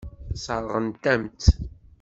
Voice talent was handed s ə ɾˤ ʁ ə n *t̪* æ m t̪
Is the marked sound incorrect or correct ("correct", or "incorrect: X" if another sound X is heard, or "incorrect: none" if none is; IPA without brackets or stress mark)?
correct